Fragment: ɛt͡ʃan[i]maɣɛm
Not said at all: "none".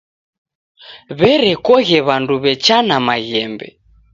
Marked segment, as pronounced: a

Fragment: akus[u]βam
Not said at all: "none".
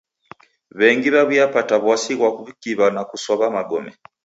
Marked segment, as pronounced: ɔ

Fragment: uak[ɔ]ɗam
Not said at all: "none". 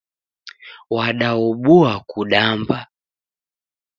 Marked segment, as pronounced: u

